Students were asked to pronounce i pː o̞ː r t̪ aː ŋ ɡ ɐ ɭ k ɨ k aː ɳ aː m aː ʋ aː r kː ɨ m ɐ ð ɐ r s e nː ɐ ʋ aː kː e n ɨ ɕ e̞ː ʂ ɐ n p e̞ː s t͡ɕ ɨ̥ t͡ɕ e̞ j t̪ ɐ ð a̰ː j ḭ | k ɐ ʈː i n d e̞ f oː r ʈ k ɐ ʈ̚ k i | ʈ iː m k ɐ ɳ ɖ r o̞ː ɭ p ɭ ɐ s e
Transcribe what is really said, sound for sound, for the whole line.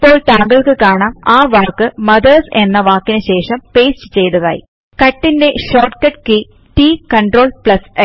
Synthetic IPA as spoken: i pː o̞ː ɭ t̪ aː ŋ ɡ ɐ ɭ k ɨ k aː ɳ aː m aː ʋ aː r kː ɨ m ɐ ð ɐ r s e nː ɐ ʋ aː kː i n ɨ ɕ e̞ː ʂ ɐ m p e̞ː s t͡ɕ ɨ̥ t͡ɕ e̞ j t̪ ɐ ð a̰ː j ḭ | k ɐ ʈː i n d e̞ ɕ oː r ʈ k ɐ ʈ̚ k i | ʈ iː k ɐ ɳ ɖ r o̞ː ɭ p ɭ ɐ s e

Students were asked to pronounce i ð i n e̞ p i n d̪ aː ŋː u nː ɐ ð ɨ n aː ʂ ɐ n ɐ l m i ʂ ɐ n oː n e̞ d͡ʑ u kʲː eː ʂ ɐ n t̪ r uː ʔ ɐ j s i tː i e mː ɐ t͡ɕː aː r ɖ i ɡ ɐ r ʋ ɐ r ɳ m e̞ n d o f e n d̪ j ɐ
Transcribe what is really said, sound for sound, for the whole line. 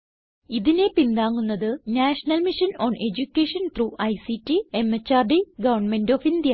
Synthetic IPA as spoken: i ð i n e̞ p i n d̪ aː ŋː u nː ɐ ð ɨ n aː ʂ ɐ n ɐ l m i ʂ ɐ n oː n e̞ d͡ʑ u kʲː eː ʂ ɐ n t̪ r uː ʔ ɐ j s i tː i e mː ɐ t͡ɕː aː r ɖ i ɡ ɐ ʋ ɐ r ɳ m e̞ n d o f i n d̪ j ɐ

